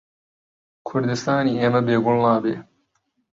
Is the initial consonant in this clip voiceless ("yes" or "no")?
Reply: yes